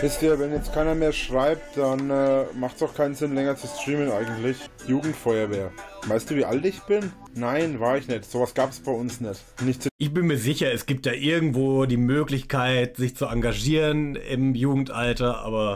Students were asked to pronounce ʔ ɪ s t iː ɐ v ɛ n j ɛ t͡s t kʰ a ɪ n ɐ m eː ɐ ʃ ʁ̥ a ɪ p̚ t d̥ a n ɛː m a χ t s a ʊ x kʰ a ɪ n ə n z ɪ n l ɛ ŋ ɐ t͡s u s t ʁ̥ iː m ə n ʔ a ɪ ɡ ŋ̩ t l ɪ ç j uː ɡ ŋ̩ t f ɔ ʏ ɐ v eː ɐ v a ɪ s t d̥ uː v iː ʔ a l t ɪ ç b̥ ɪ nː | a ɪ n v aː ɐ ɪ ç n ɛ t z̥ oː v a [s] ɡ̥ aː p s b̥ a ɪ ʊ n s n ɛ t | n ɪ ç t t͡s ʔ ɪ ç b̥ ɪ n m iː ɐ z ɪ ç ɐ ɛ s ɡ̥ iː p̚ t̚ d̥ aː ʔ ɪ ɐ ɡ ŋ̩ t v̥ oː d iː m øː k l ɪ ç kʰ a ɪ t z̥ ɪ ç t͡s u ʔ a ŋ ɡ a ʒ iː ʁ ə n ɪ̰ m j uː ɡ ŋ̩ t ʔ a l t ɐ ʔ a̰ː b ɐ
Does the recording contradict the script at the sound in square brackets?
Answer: no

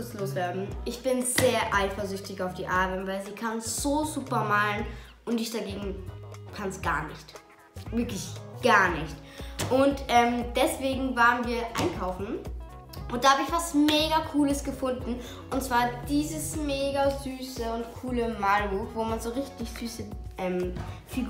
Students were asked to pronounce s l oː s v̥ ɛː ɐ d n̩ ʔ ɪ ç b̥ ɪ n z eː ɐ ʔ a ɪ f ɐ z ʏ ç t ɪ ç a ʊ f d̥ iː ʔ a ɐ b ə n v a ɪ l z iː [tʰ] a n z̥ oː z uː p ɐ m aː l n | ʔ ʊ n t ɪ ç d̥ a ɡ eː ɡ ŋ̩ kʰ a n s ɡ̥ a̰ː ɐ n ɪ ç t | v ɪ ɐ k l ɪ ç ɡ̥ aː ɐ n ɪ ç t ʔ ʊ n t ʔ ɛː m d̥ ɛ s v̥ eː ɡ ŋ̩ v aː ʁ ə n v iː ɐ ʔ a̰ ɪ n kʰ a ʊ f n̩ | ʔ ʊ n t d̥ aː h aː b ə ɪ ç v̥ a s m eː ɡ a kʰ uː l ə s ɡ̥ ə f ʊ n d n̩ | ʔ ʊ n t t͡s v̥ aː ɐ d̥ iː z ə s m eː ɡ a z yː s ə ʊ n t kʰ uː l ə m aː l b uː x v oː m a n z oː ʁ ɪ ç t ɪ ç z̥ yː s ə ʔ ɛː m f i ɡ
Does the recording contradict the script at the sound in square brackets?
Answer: yes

